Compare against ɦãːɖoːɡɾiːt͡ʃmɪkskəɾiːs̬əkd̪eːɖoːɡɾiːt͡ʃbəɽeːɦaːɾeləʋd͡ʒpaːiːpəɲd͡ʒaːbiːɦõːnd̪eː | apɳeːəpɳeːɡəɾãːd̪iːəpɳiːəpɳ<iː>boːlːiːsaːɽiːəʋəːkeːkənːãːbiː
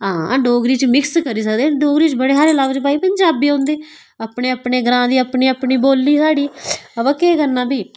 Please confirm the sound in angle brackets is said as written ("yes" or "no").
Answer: yes